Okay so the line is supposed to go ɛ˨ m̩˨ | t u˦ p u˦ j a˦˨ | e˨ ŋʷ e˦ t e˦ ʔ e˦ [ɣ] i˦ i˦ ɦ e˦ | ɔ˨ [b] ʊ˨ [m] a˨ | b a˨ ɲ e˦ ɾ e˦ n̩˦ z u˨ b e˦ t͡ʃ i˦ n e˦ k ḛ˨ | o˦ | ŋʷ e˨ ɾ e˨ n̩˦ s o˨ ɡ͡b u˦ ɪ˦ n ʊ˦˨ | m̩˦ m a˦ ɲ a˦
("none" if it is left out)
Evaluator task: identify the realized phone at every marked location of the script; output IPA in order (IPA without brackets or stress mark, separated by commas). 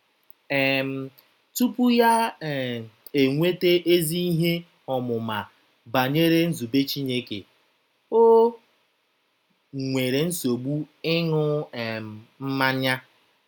z, m, m